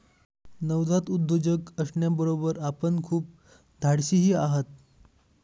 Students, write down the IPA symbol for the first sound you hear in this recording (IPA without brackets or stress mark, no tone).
n